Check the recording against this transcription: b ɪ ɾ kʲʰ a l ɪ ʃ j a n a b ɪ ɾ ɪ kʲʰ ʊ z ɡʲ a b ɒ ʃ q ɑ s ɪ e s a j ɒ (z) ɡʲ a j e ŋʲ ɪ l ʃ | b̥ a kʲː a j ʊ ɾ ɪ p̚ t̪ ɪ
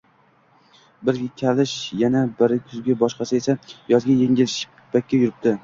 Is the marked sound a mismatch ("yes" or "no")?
no